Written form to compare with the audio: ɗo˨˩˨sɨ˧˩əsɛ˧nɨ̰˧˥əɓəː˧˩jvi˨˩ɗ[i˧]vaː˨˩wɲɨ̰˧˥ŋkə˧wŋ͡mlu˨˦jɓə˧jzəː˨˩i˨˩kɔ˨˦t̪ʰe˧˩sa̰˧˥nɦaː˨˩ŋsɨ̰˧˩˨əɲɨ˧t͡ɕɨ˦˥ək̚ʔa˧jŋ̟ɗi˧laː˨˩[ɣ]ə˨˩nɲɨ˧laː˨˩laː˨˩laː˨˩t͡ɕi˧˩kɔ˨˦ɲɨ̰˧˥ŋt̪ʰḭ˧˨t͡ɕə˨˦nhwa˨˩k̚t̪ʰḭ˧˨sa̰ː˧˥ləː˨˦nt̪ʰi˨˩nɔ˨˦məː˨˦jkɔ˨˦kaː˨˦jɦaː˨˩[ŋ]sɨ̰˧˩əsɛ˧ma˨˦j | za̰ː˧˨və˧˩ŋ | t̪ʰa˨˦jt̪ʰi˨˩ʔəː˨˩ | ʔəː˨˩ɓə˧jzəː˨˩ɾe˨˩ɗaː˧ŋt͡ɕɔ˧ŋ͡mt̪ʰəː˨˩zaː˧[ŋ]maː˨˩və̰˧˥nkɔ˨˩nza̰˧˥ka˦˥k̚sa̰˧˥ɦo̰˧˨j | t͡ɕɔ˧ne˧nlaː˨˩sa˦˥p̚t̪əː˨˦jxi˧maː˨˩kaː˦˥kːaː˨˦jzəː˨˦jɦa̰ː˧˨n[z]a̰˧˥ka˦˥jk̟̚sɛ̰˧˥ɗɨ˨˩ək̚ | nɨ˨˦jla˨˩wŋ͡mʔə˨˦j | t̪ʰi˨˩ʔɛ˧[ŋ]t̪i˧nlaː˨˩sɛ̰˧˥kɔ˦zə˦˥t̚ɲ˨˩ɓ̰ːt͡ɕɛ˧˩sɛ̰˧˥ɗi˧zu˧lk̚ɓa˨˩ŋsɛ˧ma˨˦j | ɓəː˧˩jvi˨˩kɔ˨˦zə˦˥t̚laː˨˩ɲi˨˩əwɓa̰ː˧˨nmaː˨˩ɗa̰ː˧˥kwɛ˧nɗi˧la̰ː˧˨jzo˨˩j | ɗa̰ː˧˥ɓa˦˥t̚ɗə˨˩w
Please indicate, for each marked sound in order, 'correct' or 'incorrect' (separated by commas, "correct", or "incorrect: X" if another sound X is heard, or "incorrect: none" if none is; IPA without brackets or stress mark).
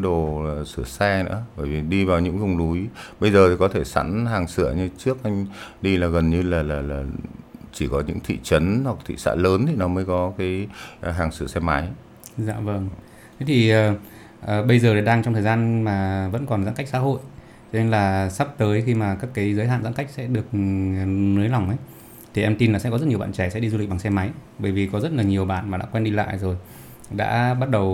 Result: correct, correct, correct, incorrect: n, correct, incorrect: m